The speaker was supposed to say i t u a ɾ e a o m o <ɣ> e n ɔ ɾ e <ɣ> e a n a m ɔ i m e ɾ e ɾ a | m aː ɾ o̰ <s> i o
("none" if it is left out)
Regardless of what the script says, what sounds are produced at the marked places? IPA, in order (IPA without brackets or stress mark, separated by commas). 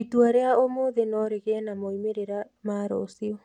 ð, ɣ, s